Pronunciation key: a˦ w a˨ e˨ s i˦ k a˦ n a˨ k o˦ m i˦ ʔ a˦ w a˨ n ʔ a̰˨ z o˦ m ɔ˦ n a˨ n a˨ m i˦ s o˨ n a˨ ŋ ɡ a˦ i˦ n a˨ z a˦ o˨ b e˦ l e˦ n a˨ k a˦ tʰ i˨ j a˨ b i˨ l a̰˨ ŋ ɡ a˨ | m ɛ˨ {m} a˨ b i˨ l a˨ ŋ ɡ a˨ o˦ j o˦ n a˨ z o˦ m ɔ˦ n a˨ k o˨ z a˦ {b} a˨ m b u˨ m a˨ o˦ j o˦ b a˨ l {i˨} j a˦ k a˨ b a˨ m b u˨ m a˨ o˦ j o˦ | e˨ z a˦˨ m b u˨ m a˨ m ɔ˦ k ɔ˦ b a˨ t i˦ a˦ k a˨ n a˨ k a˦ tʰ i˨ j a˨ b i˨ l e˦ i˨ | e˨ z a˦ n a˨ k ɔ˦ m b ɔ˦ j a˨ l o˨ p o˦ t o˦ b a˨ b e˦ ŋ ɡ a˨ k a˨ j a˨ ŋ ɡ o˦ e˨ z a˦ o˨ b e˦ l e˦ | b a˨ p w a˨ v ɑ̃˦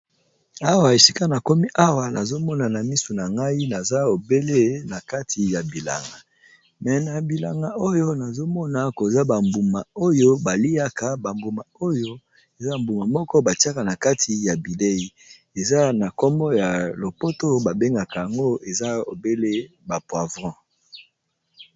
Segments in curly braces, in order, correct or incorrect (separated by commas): incorrect, correct, incorrect